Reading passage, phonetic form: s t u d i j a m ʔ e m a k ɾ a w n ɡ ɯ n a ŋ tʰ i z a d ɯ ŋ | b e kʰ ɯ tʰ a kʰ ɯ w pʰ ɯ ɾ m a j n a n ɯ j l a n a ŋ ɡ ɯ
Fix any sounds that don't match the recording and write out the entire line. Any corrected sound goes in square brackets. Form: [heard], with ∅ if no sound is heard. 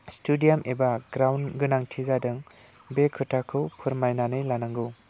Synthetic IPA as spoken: s t u d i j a m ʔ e [b] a [ɡ] ɾ a w n ɡ ɯ n a ŋ tʰ i z a d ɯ ŋ | b e kʰ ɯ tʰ a kʰ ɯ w pʰ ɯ ɾ m a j n a n ɯ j l a n a ŋ ɡ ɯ